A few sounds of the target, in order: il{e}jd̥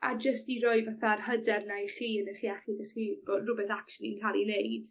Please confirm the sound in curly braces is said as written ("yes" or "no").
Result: yes